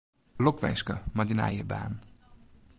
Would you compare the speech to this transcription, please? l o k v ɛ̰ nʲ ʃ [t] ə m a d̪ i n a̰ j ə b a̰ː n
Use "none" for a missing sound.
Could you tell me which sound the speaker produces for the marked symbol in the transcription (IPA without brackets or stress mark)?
k